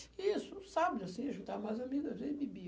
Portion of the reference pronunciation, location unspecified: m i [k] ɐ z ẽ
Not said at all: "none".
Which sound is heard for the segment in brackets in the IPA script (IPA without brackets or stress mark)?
ɡ